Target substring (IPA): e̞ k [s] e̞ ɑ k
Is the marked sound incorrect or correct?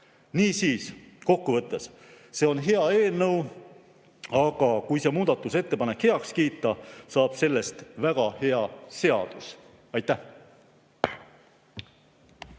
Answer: incorrect